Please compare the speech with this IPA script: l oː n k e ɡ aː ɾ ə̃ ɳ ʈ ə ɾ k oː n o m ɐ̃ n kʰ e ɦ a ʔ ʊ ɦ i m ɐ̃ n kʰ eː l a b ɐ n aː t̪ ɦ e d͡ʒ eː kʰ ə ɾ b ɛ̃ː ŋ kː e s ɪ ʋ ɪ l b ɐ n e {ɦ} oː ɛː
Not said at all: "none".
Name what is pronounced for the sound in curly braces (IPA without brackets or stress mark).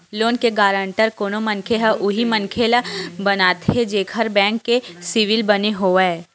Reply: ɦ